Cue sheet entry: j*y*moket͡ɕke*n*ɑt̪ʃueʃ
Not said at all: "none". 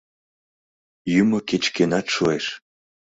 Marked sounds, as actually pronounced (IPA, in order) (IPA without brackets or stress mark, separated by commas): y, n